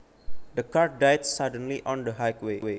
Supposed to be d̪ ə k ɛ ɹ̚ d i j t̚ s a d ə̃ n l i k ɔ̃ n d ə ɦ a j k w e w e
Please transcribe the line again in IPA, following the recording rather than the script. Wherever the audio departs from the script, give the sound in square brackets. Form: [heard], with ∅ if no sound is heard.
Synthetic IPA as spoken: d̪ ə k [a] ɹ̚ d [a] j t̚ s a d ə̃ n l i [ʔ] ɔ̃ n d ə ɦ a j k w e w e